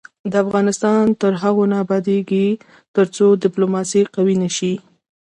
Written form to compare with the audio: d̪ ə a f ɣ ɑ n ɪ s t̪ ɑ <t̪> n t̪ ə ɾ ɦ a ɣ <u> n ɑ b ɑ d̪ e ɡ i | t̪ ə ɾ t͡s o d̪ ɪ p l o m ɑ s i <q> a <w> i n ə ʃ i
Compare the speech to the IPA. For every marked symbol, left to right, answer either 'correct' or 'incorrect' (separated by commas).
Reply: incorrect, incorrect, correct, correct